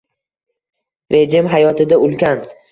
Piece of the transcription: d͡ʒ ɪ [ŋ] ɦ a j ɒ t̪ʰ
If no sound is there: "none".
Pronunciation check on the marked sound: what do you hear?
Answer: m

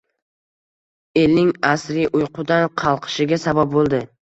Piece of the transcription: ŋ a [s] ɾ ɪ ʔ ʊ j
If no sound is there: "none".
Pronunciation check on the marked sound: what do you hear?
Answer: s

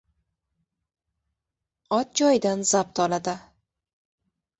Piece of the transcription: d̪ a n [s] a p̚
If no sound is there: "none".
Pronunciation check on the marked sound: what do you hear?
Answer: z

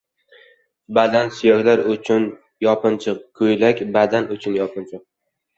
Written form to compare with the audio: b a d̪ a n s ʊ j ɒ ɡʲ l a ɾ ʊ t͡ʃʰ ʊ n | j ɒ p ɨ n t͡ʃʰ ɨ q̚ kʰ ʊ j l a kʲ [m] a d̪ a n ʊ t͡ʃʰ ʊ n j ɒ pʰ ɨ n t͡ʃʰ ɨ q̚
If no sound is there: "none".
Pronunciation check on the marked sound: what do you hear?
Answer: b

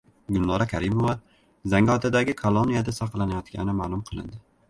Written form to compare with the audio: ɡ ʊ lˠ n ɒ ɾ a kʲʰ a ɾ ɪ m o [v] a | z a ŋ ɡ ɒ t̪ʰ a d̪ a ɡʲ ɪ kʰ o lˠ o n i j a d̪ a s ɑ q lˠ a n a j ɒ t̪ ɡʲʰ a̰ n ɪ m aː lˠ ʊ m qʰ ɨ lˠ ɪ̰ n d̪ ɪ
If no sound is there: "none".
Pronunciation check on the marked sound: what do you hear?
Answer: v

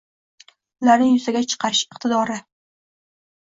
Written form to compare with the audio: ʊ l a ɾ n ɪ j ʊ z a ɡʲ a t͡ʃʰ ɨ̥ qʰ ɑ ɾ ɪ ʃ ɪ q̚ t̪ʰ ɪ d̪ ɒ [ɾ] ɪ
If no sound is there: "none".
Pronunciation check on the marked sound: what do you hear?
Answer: ɾ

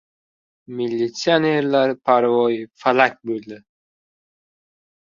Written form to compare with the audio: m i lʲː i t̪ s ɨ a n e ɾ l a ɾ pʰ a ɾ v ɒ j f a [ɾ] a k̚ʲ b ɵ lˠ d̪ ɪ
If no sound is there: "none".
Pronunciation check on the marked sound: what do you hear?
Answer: l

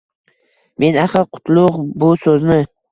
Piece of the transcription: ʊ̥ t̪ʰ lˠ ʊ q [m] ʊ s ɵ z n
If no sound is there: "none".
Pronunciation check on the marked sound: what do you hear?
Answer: b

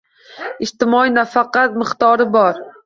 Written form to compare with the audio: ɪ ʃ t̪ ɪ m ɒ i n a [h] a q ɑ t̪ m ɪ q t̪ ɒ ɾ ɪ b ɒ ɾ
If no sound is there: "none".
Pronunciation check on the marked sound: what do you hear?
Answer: f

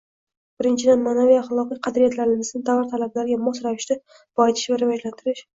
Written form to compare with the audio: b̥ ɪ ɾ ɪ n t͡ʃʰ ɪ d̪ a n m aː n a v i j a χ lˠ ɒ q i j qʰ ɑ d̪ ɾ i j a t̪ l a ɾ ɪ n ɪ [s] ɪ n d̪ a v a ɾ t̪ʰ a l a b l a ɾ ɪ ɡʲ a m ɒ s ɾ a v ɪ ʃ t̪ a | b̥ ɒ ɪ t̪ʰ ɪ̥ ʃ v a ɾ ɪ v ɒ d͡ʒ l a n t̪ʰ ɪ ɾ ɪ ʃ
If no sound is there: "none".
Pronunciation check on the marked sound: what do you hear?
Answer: z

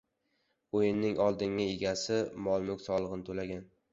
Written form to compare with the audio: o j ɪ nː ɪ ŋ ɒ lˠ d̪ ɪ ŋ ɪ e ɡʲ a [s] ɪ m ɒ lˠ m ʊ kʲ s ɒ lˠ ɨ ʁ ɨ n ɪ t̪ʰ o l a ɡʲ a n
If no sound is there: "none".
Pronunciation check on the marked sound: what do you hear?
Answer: s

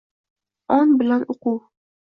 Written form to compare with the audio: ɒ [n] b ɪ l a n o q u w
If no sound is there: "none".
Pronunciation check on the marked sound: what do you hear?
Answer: n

